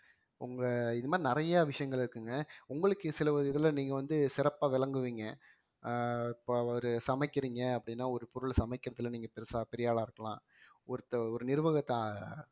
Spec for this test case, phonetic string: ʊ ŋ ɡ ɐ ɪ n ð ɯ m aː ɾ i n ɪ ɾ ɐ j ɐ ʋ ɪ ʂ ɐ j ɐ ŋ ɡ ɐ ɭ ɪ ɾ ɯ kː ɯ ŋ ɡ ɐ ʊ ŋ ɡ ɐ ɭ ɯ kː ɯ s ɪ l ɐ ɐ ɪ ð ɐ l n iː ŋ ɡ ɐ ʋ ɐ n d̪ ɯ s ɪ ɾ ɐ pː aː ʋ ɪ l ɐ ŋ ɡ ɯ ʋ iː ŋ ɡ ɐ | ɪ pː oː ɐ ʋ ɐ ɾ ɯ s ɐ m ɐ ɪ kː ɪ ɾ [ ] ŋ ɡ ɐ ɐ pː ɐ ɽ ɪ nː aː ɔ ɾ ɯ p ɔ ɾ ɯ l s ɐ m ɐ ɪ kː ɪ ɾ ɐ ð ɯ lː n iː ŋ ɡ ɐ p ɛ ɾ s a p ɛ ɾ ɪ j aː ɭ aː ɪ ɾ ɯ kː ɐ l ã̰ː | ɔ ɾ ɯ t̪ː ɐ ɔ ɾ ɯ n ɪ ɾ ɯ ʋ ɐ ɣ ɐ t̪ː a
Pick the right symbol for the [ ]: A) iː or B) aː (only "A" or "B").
A